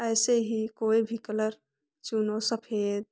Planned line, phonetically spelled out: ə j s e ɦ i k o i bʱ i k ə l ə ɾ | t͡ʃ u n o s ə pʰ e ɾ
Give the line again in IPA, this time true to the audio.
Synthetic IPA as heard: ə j s e ɦ i k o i bʱ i k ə l ə ɾ | t͡ʃ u n o s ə pʰ e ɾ